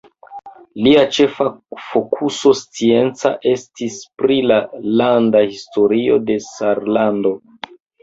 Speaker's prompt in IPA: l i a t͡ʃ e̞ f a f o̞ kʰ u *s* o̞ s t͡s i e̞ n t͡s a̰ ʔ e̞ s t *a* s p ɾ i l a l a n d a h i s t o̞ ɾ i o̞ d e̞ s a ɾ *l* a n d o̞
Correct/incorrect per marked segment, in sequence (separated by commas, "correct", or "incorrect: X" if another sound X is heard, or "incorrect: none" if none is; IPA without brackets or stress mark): correct, incorrect: i, correct